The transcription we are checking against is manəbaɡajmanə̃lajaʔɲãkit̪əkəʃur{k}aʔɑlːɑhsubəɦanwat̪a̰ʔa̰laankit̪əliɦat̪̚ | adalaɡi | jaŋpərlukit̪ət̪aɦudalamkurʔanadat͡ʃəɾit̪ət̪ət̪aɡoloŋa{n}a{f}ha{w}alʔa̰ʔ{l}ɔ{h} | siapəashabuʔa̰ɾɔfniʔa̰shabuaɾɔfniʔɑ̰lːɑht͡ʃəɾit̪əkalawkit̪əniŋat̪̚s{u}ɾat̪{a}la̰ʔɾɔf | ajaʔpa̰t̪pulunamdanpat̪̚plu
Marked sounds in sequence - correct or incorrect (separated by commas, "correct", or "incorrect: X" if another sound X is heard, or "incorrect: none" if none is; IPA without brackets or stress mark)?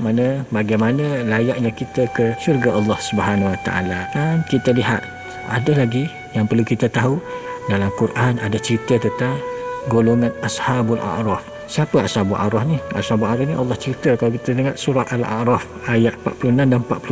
incorrect: ɡ, correct, incorrect: s, incorrect: b, incorrect: ɾ, incorrect: f, correct, correct